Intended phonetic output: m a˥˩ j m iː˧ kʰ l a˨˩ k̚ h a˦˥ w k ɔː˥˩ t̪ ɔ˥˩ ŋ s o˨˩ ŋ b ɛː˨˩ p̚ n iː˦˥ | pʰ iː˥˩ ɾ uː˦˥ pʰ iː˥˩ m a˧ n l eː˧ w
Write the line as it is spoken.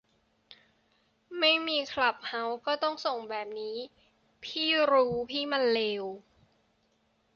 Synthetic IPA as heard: m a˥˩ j m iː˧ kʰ l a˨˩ p̚ h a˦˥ w k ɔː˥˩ t̪ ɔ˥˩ ŋ s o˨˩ ŋ b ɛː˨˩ p̚ n iː˦˥ | pʰ iː˥˩ ɾ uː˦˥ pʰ iː˥˩ m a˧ n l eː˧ w